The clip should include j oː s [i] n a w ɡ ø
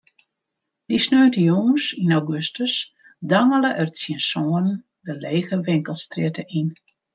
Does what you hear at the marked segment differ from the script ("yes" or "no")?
no